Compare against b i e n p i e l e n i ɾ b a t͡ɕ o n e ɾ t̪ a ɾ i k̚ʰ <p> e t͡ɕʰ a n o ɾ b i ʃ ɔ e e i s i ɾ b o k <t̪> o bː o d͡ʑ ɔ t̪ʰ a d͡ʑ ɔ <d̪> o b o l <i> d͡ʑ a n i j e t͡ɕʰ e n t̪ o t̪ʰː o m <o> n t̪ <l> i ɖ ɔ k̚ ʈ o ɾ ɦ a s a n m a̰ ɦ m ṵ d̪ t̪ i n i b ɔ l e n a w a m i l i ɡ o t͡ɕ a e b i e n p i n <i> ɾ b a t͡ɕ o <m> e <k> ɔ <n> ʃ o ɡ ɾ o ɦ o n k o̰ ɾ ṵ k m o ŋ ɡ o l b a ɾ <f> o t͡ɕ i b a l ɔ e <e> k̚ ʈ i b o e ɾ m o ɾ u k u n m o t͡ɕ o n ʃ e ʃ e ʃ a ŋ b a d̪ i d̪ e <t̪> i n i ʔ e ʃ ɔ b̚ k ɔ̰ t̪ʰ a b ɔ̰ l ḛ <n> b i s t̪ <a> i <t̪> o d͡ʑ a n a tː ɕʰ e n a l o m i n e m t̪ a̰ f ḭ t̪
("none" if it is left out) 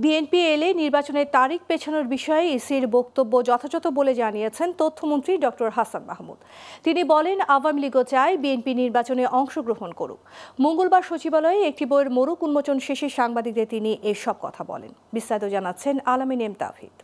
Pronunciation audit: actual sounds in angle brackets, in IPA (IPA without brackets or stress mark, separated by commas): p, t̪, t̪, e, o, ɾ, i, n, ʔ, ŋ, ʃ, e, t̪, n, a, t̪